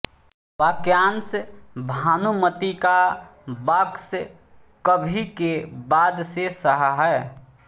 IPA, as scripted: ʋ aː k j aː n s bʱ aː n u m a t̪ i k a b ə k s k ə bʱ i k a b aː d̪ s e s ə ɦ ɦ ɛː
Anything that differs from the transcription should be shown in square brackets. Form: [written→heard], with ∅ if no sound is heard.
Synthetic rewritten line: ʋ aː k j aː n s bʱ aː n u m [a→ə] t̪ i k a b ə k s k ə bʱ i k [a→e] b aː d̪ s e s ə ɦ ɦ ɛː